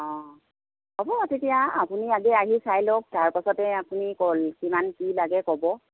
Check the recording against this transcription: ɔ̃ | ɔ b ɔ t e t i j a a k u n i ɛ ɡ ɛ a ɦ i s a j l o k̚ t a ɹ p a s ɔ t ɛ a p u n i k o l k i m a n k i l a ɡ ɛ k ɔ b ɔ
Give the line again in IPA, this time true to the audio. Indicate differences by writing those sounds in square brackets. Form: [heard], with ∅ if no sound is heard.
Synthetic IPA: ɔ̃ | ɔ b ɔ t e t i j a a [p] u n i [a] ɡ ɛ a ɦ i s a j l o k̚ t a ɹ p a s ɔ t ɛ a p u n i k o l k i m a n k i l a ɡ ɛ k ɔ b ɔ